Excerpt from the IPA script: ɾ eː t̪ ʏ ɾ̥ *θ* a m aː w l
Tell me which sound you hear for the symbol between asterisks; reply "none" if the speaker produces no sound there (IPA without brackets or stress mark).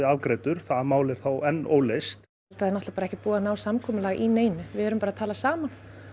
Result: θ